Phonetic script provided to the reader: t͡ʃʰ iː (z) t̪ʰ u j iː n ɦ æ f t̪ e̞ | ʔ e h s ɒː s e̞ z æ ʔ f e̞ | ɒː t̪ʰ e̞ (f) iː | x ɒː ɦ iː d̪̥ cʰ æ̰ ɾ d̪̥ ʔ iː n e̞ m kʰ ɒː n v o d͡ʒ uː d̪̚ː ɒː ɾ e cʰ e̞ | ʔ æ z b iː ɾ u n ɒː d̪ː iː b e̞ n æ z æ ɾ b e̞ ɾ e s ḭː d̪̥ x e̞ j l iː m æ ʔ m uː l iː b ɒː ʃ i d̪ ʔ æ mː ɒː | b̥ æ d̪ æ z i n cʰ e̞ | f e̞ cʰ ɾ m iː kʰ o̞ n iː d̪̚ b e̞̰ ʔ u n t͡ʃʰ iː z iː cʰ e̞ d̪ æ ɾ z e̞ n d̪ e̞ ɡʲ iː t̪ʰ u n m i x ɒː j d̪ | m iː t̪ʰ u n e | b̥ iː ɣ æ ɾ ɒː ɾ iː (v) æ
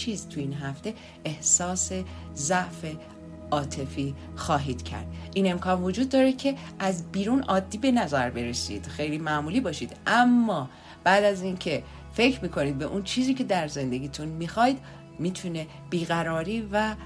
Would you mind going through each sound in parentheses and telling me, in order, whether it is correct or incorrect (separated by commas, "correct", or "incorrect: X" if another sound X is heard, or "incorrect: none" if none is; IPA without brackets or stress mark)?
correct, correct, correct